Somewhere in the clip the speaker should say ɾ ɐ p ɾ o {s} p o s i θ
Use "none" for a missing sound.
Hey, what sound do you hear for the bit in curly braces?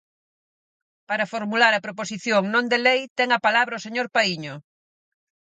none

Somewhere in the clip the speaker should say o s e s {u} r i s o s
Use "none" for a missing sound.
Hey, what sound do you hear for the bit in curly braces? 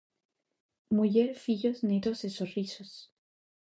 o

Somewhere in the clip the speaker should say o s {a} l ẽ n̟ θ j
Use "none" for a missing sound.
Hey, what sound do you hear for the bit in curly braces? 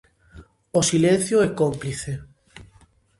i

